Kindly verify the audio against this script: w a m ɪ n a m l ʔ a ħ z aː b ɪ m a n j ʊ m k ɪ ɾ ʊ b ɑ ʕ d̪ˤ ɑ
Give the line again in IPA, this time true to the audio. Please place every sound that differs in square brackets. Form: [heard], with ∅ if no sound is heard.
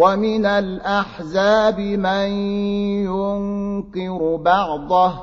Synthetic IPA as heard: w a m ɪ n a [∅] l ʔ a ħ z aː b ɪ m a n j ʊ [ŋ] k ɪ ɾ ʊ b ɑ ʕ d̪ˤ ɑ